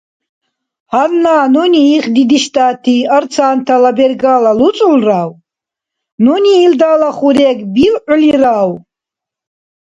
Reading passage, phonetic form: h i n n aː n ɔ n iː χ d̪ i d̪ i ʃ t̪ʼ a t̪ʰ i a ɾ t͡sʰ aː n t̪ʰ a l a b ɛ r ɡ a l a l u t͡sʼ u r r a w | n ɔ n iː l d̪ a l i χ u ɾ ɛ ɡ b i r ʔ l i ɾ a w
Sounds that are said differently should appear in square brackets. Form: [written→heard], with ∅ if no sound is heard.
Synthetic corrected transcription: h [i→a] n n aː n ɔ n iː χ d̪ i d̪ i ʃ t̪ʼ a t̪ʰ i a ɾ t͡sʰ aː n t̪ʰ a l a b ɛ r ɡ a l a l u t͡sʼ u [r→l] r a w | n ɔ n iː l d̪ a l [i→a] χ u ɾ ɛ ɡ b i [r→l] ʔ l i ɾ a w